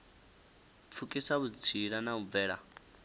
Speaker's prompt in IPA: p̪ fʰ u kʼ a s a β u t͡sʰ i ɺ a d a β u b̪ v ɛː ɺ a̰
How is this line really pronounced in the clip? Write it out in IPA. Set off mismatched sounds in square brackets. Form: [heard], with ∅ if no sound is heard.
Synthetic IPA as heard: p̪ fʰ u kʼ [i] s a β u t͡sʰ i ɺ a [n] a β u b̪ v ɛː ɺ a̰